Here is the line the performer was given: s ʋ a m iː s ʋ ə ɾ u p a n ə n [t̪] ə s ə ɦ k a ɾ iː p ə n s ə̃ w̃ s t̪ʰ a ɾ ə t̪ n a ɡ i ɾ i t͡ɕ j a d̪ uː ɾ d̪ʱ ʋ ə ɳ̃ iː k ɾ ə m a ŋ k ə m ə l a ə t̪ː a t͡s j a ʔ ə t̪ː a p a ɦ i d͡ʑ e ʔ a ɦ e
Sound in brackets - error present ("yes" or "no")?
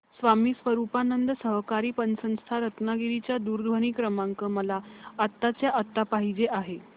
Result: yes